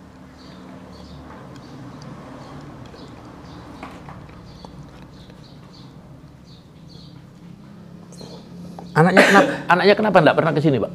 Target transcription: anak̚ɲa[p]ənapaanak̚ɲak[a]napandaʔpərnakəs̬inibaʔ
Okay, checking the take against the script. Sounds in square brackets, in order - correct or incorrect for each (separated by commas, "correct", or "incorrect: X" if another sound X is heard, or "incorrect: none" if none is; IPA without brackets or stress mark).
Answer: incorrect: k, incorrect: ə